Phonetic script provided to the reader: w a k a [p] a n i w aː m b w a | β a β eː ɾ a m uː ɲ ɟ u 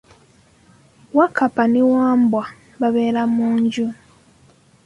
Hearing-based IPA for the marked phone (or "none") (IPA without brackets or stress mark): p